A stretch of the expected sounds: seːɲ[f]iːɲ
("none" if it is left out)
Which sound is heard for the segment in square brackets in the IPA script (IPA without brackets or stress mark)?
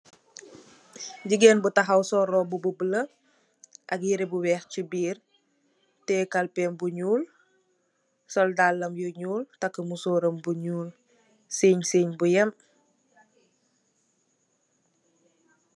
s